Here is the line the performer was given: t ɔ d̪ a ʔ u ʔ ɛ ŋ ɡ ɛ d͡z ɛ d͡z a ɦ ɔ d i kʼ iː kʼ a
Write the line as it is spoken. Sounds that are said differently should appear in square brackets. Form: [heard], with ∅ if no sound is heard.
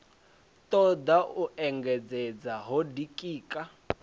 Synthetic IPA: t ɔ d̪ a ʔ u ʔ ɛ ŋ ɡ ɛ d͡z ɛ d͡z a ɦ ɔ d i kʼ iː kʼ a